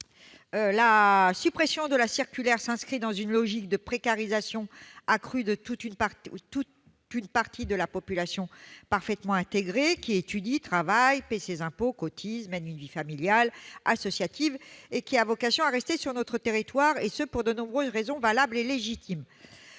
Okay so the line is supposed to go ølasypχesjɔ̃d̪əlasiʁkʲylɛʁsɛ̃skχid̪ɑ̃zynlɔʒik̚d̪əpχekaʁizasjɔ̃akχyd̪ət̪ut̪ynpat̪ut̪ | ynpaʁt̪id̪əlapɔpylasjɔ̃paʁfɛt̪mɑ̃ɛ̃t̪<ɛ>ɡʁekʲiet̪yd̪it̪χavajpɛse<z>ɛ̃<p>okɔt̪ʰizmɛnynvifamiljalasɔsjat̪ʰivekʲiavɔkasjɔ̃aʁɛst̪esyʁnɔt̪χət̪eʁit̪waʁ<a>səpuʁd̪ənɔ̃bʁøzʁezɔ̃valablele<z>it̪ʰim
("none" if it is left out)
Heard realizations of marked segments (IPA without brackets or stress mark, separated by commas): e, z, p, e, ʒ